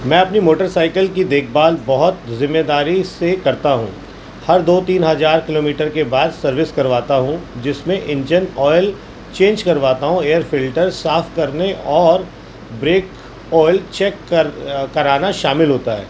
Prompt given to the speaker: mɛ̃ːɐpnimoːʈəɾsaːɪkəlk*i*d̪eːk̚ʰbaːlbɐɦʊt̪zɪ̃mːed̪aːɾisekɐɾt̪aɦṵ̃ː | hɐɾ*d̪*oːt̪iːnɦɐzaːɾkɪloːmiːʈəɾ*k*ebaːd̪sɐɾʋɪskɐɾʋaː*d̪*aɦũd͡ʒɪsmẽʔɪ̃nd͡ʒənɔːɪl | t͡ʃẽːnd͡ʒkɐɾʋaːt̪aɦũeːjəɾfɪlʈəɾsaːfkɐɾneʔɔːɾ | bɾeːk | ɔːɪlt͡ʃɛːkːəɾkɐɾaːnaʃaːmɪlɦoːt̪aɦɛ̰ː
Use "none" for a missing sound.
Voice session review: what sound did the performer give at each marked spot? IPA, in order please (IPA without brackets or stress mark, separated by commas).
i, d̪, k, t̪